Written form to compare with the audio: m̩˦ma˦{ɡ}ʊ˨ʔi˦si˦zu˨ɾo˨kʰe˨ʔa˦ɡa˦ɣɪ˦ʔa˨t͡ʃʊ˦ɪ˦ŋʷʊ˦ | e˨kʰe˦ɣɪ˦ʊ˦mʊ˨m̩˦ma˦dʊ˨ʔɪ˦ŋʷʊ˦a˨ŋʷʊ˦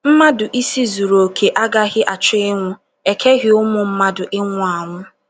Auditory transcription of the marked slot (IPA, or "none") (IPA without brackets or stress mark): d